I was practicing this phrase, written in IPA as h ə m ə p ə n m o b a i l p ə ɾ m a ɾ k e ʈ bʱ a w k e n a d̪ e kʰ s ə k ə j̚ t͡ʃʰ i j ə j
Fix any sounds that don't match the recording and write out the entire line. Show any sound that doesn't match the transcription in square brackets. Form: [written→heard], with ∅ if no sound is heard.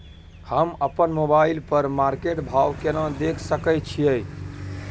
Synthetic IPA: h ə m ə p ə n m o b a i l p ə ɾ m a ɾ k e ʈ bʱ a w k e n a d̪ e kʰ s ə k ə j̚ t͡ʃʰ i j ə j

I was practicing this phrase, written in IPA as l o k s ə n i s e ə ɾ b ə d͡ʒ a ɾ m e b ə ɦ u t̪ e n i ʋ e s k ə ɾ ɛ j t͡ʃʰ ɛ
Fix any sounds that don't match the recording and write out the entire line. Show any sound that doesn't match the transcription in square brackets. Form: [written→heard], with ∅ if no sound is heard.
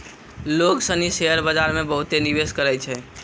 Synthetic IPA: l o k s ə n i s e ə ɾ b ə d͡ʒ a ɾ m e b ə ɦ u t̪ e n i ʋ e s k ə ɾ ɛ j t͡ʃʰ ɛ

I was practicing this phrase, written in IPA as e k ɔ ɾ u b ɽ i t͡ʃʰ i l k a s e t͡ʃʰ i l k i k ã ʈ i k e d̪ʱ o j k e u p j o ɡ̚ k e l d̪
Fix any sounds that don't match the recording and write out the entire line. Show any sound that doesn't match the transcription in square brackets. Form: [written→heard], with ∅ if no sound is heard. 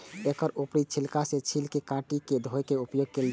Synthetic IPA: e k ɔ ɾ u [b→p] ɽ i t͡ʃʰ i l k a s e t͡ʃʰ i l k [i→e] k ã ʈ i k e d̪ʱ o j k e u p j o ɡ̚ k e l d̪

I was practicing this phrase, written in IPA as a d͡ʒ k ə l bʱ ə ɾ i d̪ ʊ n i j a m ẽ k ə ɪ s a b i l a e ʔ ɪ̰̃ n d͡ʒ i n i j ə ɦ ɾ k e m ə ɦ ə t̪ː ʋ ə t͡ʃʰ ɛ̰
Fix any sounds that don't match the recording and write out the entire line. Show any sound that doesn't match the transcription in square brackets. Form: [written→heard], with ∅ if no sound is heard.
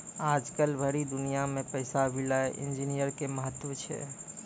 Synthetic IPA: a d͡ʒ k ə l bʱ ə ɾ i d̪ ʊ n i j a m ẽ [k→p] ə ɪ s a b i l a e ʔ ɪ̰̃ n d͡ʒ i n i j ə [ɦ→∅] ɾ k e m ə ɦ ə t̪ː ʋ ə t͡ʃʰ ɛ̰

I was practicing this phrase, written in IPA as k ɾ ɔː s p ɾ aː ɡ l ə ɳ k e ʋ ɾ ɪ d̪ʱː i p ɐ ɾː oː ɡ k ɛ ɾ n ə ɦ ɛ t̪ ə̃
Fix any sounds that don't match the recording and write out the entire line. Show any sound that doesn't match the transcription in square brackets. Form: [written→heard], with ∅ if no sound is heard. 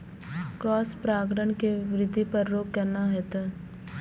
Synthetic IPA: k ɾ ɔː s p ɾ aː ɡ [l→ɾ] ə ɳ k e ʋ ɾ ɪ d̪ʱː i p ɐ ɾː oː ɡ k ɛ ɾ n [ə→a] ɦ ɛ t̪ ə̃

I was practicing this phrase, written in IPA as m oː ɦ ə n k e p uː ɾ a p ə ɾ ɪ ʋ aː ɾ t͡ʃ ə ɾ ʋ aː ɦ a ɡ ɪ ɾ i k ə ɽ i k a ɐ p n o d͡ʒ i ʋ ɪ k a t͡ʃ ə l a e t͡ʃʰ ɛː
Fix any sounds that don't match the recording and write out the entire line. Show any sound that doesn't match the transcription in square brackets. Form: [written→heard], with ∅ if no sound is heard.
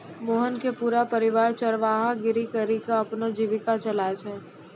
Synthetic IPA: m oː ɦ ə n k e p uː ɾ a p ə ɾ ɪ ʋ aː ɾ t͡ʃ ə ɾ ʋ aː ɦ a ɡ ɪ ɾ i k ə [ɽ→ɾ] i k a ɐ p n o d͡ʒ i ʋ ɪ k a t͡ʃ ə l a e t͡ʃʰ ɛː

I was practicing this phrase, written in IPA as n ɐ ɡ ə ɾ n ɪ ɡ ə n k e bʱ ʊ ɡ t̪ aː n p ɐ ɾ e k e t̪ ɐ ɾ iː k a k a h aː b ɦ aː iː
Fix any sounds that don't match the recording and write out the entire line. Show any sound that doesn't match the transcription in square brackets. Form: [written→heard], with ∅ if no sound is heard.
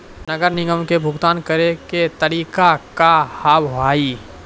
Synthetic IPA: n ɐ ɡ ə ɾ n ɪ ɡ ə [n→m] k e bʱ ʊ ɡ t̪ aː n [p→k] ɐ ɾ e k e t̪ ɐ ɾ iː k a k a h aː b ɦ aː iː

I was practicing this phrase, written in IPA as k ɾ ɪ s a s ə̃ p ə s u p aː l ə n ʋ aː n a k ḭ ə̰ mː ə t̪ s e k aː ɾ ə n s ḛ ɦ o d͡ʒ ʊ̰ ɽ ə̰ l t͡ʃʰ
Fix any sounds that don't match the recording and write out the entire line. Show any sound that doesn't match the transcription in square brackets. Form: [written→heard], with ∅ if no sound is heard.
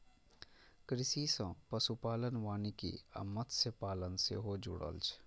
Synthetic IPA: k ɾ ɪ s [a→i] s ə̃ p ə s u p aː l ə n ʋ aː n [a→i] k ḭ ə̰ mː ə t̪ s e [k→p] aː [ɾ→l] ə n s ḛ ɦ o d͡ʒ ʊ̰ ɽ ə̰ l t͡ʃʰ

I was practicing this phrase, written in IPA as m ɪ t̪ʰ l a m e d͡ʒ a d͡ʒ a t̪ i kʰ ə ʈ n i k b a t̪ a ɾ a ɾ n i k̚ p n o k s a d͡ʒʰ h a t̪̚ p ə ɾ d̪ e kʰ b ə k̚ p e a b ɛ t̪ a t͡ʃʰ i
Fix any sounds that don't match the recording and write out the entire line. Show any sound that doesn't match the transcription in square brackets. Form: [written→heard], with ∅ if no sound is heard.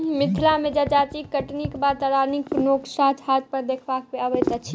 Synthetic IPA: m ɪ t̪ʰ l a m e d͡ʒ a d͡ʒ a t̪ i [kʰ→k] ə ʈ n i k b a t̪ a ɾ a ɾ n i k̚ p n o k s a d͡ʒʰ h a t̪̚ p ə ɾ d̪ e kʰ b [ə→a] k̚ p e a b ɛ t̪ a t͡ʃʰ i

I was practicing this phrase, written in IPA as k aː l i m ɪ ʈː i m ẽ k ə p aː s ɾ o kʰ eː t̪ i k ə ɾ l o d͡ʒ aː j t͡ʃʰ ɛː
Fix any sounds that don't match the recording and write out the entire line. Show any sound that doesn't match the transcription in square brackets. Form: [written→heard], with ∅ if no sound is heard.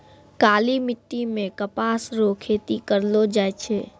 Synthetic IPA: k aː l i m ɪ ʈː i m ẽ k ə p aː s ɾ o kʰ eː t̪ i k ə ɾ l o d͡ʒ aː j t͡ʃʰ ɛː

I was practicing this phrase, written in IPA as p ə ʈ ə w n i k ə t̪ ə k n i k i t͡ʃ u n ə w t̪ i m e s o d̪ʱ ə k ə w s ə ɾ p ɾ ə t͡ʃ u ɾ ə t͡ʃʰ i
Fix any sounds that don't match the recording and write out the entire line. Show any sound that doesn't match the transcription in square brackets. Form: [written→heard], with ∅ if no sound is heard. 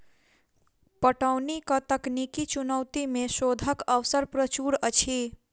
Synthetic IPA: p ə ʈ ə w n i k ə t̪ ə k n i k i t͡ʃ u n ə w t̪ i m e s o d̪ʱ ə k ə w s ə ɾ p ɾ ə t͡ʃ u ɾ ə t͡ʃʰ i

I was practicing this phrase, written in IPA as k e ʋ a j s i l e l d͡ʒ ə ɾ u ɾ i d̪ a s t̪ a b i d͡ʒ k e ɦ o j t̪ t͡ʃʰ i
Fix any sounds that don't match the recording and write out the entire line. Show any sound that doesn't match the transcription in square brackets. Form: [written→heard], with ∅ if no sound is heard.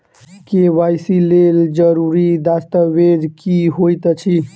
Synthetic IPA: k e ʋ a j s i l e l d͡ʒ ə ɾ u ɾ i d̪ a s t̪ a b [i→e] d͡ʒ k [e→i] ɦ o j t̪ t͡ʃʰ i

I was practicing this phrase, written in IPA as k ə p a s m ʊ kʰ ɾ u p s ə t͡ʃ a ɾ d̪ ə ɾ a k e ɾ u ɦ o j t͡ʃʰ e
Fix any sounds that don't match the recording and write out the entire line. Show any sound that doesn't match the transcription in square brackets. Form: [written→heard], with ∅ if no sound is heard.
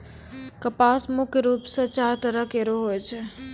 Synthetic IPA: k ə p a s m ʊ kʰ ɾ u p s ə t͡ʃ a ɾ [d̪→t̪] ə ɾ [a→ə] k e ɾ [u→o] ɦ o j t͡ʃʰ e

